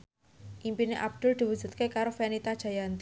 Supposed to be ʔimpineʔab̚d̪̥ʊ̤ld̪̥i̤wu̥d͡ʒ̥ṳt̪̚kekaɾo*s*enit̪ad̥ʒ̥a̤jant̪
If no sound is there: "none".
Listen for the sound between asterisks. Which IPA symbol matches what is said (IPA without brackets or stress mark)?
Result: f